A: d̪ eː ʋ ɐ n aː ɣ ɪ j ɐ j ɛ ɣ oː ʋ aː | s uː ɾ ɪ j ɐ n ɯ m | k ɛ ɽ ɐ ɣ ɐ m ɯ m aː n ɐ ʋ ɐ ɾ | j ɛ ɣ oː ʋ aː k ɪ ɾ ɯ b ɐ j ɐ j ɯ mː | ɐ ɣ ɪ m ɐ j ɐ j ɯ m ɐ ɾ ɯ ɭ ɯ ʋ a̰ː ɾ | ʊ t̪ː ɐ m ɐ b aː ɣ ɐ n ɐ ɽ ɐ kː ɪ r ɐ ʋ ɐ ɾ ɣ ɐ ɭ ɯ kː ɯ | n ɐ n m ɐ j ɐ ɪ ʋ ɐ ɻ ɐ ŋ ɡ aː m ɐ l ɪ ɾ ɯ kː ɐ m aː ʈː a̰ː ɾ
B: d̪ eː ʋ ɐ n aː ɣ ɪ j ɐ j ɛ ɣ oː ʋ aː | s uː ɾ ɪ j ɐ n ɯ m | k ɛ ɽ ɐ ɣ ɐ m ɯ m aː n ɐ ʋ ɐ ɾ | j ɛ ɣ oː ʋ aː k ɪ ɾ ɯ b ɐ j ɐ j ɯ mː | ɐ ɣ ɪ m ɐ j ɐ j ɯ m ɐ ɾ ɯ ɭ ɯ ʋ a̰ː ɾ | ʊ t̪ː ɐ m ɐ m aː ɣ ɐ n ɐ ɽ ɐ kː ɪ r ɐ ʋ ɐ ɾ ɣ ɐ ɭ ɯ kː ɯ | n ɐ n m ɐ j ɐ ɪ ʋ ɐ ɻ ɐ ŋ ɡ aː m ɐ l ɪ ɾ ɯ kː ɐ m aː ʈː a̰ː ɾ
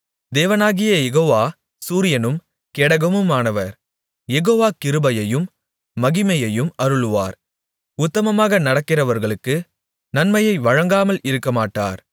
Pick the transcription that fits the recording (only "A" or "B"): B